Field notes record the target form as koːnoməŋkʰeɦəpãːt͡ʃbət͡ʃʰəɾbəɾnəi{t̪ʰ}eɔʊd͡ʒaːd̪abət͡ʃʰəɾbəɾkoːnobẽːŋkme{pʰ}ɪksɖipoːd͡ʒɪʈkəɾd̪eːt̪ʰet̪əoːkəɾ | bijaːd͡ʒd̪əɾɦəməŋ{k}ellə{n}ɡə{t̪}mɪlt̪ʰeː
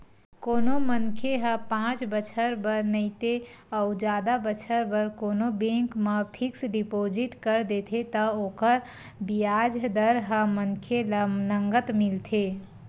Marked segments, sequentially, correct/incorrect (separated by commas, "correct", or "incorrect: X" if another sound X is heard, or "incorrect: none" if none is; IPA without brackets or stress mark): incorrect: t̪, correct, incorrect: kʰ, incorrect: ŋ, correct